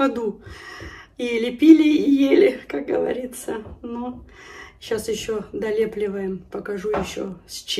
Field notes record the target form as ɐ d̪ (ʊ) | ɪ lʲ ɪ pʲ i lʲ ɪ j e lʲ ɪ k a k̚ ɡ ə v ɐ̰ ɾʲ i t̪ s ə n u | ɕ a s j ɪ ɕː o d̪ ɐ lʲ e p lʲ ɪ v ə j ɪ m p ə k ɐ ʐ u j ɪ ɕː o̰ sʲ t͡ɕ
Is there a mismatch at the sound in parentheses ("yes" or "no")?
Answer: yes